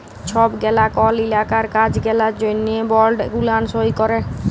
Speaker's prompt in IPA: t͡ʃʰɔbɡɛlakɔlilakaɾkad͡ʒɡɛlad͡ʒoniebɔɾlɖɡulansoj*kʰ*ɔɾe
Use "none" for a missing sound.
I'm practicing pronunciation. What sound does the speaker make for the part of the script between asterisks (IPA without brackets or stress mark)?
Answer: k